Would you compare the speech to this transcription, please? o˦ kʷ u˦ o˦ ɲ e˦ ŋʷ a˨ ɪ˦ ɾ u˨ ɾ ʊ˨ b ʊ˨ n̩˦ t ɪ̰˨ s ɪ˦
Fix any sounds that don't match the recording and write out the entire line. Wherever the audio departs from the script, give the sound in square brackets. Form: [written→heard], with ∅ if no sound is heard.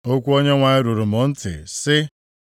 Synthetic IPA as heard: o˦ kʷ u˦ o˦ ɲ e˦ ŋʷ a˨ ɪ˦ ɾ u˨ ɾ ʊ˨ [b→m] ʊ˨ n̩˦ t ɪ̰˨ s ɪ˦